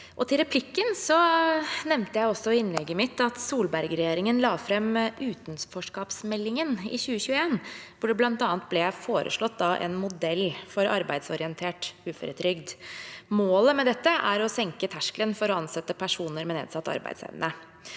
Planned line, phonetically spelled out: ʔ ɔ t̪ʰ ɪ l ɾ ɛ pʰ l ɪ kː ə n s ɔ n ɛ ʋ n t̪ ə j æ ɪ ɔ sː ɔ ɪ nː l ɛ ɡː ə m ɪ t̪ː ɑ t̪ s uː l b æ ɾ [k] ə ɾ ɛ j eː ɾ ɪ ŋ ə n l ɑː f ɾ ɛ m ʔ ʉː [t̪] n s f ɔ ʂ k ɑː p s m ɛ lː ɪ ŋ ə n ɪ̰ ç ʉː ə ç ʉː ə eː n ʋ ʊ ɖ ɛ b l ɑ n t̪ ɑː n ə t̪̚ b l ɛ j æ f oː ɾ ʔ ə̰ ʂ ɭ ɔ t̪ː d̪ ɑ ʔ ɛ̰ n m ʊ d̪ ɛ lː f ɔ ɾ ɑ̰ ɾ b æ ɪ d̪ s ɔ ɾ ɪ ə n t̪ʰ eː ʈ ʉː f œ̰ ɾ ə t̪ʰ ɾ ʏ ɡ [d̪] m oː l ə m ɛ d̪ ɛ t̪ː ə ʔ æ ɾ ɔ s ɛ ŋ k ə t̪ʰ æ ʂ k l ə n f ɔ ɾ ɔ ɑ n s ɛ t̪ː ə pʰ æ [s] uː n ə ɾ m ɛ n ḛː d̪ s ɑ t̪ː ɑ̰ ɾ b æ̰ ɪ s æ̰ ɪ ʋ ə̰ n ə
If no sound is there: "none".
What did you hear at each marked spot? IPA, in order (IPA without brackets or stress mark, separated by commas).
ɡ, t̪, d̪, ʂ